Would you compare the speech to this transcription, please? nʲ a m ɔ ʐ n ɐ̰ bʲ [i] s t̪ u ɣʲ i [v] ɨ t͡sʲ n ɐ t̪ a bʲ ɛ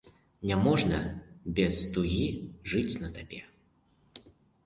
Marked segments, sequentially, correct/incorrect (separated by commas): incorrect, incorrect